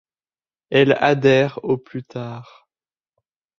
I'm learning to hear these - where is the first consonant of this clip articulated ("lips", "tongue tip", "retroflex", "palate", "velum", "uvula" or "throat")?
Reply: tongue tip